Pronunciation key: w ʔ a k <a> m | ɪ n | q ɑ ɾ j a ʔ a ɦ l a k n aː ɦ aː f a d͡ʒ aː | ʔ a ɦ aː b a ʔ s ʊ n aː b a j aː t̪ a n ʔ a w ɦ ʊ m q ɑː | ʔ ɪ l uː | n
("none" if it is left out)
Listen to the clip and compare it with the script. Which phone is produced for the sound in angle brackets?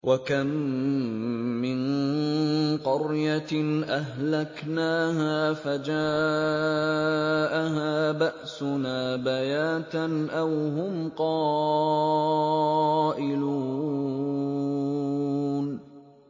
a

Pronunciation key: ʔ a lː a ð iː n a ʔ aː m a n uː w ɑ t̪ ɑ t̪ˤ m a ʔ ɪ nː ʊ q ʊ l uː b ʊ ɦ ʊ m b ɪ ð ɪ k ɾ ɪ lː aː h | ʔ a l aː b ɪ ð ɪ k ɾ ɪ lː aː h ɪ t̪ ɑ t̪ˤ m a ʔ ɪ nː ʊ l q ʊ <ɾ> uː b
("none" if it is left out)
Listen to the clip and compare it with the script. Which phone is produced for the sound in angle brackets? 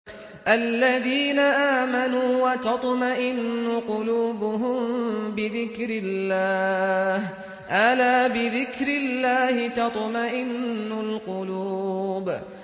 l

